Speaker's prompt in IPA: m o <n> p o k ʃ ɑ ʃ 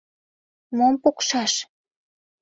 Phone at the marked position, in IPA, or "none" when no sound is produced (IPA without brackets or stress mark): m